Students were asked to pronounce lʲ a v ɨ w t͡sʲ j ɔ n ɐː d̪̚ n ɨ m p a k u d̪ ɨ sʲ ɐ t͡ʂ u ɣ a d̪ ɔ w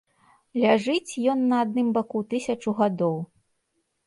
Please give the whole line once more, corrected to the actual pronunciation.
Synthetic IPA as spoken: lʲ a ʐ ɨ t͡sʲ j ɔ nː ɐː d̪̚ n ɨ m b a k u t̪ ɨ sʲ ɐ t͡ʂ u ɣ a d̪ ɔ w